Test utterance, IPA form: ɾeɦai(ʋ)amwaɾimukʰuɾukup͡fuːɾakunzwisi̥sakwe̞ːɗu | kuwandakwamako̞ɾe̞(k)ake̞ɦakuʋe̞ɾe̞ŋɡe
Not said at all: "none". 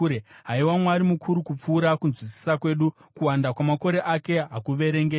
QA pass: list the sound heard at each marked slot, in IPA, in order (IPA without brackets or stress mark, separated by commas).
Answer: w, ʔ